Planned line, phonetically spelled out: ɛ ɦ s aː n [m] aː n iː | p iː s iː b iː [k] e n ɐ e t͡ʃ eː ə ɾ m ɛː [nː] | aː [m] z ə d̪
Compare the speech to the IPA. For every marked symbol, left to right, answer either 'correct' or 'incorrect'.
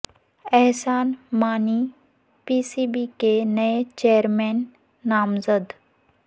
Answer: correct, correct, correct, correct

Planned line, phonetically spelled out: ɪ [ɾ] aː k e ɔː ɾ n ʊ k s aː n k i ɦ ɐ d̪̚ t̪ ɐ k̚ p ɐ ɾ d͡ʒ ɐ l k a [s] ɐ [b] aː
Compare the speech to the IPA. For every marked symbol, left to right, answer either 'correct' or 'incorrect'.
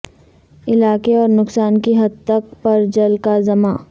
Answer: incorrect, incorrect, incorrect

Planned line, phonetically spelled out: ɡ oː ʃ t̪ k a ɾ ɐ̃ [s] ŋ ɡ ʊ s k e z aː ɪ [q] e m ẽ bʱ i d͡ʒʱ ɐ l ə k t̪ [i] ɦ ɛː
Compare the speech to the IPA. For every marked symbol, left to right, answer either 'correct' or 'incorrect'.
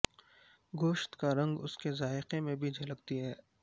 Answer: incorrect, correct, correct

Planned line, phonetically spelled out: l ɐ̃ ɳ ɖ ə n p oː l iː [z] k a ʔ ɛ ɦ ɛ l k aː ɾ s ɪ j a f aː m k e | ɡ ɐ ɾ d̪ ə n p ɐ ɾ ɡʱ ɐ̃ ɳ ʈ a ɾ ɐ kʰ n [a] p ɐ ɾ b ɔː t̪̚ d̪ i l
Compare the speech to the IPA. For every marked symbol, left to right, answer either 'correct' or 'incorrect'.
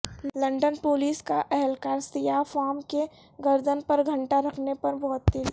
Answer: incorrect, incorrect

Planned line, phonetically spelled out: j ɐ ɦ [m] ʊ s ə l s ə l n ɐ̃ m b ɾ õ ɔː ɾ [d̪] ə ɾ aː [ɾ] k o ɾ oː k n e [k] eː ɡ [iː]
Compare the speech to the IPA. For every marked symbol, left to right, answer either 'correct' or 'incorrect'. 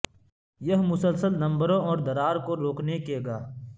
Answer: correct, correct, correct, correct, incorrect

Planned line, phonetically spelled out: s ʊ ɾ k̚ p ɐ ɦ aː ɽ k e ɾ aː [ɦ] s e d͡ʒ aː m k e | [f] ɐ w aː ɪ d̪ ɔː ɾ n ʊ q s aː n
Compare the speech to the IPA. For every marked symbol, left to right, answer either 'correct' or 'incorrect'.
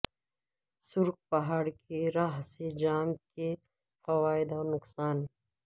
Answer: correct, correct

